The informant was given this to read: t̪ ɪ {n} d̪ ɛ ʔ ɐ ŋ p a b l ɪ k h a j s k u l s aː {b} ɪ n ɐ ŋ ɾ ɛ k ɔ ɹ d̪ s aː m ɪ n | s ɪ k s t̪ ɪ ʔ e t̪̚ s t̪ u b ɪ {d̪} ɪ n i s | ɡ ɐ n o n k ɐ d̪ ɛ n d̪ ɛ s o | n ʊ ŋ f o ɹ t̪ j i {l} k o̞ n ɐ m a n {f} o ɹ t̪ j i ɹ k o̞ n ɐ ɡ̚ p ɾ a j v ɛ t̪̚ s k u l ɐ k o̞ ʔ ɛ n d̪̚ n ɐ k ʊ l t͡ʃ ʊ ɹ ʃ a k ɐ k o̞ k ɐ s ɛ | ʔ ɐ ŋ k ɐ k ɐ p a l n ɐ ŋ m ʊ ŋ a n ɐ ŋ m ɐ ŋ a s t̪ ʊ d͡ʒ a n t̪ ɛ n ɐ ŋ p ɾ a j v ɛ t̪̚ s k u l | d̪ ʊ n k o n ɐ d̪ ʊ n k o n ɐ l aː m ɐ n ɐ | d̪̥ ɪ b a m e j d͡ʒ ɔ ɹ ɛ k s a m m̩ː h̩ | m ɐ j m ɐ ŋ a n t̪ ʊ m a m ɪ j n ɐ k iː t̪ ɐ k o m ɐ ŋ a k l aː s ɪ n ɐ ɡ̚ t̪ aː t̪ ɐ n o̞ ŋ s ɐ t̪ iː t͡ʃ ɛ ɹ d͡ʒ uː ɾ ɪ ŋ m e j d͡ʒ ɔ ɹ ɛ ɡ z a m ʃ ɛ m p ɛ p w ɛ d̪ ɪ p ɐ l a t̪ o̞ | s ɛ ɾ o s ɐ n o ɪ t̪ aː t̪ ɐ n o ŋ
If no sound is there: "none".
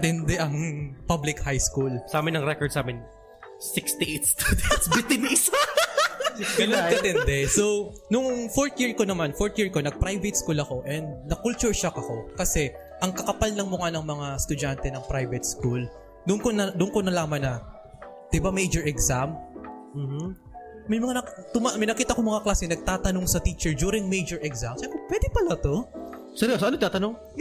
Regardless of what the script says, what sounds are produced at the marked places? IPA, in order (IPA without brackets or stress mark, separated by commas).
n, m, t̪, ɹ, f